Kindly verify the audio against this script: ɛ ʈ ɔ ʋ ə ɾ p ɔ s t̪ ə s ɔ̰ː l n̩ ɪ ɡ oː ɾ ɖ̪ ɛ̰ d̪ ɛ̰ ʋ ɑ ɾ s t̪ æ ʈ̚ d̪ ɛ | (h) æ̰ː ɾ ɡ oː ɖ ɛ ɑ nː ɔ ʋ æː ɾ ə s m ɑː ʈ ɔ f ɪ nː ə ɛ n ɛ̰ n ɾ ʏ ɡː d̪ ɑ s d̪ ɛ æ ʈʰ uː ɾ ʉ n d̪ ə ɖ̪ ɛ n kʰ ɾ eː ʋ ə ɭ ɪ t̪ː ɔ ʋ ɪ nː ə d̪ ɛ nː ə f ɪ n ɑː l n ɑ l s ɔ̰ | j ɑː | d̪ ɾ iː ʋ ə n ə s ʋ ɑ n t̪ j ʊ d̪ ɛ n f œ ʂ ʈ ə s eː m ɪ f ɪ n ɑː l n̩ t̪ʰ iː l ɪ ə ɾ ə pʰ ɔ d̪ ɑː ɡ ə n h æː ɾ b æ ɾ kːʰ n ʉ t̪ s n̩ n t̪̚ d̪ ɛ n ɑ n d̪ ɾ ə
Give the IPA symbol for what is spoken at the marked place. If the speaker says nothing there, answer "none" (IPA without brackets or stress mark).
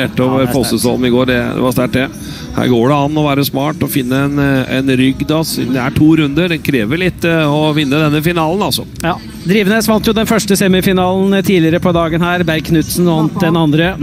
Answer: h